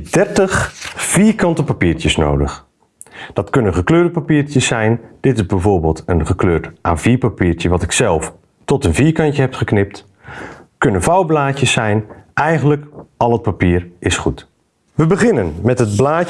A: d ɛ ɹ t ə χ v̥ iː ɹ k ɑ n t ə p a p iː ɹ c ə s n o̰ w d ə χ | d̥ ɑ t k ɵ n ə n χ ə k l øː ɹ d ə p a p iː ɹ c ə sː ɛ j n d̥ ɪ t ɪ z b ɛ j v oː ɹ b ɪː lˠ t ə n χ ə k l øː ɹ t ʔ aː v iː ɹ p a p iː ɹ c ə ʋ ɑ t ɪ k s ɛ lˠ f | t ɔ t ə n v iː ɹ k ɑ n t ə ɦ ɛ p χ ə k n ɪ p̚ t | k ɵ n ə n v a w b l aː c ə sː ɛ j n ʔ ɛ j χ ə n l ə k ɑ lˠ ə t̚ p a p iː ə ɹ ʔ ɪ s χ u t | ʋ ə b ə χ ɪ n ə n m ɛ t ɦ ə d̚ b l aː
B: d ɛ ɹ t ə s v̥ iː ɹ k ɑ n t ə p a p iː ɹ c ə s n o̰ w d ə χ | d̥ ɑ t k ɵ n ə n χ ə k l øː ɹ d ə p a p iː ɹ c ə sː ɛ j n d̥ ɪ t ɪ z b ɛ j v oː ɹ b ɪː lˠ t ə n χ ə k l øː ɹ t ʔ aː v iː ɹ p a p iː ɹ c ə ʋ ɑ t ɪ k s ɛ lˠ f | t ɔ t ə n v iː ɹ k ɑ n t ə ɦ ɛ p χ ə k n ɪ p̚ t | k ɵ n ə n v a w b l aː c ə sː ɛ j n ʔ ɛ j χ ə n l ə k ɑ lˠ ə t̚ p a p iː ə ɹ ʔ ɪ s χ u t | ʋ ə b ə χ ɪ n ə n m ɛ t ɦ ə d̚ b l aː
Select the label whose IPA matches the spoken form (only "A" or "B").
A